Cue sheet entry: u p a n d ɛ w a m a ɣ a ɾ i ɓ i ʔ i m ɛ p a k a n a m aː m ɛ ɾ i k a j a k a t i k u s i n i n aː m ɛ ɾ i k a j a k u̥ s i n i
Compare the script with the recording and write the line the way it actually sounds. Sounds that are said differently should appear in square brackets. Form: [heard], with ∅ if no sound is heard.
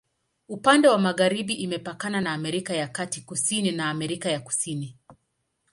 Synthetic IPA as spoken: u p a n d ɛ w a m a ɣ a ɾ i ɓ i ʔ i m ɛ p a k a n a [n] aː m ɛ ɾ i k a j a k a t i k u s i n i n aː m ɛ ɾ i k a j a k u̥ s i n i